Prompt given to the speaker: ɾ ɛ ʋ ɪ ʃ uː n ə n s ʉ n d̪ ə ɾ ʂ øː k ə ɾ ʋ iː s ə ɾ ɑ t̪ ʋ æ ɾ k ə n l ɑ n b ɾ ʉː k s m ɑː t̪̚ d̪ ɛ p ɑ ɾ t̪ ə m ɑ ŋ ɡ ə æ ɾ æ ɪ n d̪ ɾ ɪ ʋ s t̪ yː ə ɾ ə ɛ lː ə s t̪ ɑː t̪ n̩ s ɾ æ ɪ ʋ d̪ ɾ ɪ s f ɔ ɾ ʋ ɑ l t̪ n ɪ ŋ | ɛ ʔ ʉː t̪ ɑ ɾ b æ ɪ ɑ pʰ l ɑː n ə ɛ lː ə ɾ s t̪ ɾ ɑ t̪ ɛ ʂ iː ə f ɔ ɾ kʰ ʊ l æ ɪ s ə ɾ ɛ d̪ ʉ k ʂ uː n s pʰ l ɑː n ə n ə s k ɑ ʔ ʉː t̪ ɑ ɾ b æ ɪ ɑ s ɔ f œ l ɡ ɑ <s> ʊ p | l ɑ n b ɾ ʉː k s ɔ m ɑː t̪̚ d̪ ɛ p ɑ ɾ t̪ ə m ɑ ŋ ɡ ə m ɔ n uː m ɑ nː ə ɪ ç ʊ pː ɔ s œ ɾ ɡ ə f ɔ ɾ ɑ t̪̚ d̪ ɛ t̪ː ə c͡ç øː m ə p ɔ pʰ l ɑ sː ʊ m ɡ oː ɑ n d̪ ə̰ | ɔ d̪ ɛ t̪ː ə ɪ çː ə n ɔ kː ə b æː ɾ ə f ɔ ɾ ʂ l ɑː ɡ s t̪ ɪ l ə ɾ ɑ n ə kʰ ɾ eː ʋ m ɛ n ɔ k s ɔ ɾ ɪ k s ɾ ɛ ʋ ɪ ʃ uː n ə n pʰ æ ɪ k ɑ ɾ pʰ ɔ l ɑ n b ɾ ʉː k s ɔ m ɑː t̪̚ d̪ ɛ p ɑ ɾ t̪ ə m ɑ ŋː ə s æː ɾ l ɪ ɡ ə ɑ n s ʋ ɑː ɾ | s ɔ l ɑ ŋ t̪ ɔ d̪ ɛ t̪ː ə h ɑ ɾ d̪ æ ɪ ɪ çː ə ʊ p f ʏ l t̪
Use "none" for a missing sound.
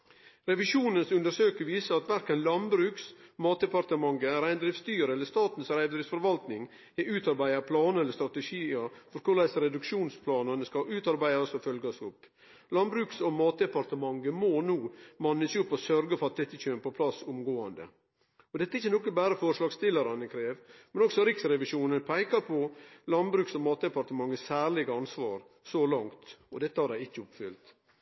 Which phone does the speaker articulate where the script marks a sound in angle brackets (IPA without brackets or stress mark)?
s